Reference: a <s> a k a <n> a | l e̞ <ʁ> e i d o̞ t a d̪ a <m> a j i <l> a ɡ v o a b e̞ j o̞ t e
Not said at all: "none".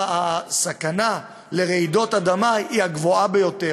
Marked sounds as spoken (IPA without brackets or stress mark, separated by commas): s, n, ʁ, m, none